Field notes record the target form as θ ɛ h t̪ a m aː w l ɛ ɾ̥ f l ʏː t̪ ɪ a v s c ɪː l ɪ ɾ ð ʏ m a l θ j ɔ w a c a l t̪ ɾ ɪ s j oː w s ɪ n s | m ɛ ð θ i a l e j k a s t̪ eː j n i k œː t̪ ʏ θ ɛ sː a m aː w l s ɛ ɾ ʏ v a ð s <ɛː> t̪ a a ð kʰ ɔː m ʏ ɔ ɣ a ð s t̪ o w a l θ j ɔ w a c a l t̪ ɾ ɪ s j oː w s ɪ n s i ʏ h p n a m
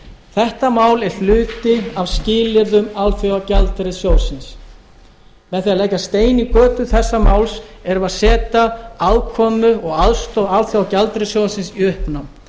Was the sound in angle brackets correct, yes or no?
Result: yes